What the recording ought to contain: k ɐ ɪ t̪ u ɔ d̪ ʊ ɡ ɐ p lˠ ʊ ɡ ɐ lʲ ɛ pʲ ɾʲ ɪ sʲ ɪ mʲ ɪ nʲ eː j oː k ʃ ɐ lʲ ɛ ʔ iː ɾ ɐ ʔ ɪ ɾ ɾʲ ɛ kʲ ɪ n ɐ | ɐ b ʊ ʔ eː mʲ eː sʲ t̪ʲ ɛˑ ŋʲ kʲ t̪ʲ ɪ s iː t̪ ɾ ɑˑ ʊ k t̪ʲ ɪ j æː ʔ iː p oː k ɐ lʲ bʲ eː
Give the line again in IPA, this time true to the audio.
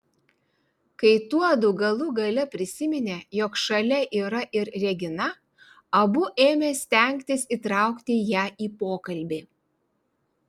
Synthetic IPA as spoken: k ɐ ɪ t̪ u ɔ d̪ ʊ ɡ ɐ lˠ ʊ ɡ ɐ lʲ ɛ pʲ ɾʲ ɪ sʲ ɪ mʲ ɪ nʲ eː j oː k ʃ ɐ lʲ ɛ ʔ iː ɾ ɐ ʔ ɪ ɾ ɾʲ ɛ ɡʲ ɪ n ɐ | ɐ b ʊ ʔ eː mʲ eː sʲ t̪ʲ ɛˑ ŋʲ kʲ t̪ʲ ɪ s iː t̪ ɾ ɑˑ ʊ k t̪ʲ ɪ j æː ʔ iː p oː k ɐ lʲ bʲ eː